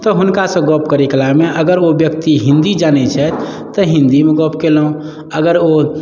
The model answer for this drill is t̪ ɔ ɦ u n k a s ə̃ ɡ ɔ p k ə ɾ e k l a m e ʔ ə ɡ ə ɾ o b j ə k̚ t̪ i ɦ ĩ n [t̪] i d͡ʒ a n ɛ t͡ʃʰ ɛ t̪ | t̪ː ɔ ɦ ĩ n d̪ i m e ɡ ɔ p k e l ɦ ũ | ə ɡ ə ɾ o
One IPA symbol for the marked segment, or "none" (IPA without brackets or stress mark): d̪